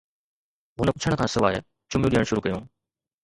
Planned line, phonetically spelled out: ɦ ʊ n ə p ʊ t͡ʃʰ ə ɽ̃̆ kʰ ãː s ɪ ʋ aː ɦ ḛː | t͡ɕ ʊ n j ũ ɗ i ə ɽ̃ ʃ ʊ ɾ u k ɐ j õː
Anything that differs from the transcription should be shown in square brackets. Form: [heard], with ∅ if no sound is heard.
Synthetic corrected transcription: ɦ ʊ n ə p ʊ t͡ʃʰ ə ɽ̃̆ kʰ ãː s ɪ ʋ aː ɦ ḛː | t͡ɕ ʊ [m] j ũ ɗ i ə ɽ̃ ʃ ʊ ɾ u k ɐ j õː